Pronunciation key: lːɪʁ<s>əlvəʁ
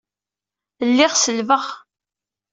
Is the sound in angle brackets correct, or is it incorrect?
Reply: correct